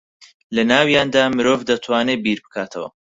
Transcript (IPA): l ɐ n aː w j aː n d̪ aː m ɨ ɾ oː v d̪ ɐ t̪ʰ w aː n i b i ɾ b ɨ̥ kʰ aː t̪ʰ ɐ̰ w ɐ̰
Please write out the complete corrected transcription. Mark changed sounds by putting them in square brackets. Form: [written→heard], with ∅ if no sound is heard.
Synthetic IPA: l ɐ n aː w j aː n d̪ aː m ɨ ɾ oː v d̪ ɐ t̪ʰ w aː n [i→e] b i ɾ b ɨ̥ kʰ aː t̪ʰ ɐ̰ w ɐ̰